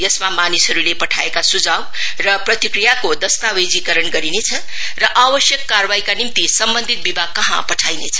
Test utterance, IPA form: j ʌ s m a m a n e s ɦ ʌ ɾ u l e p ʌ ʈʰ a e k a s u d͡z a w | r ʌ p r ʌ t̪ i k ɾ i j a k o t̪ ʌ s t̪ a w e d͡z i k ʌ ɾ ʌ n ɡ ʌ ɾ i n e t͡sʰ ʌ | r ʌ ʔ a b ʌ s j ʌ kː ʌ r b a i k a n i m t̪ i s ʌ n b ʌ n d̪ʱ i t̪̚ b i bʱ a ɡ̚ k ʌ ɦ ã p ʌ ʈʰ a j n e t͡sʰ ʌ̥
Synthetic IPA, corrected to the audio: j ʌ s m a m a n i s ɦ ʌ ɾ u l e p ʌ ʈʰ a e k a s u d͡z a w | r ʌ p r ʌ t̪ i k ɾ i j a k o d̪ ʌ s t̪ a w e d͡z i k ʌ ɾ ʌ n ɡ ʌ ɾ i n e t͡sʰ ʌ | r ʌ ʔ a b ʌ s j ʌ kː a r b a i k a n i m t̪ i s ʌ m b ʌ n d̪ʱ i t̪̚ b i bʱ a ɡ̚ k ʌ ɦ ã p ʌ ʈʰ a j n e t͡sʰ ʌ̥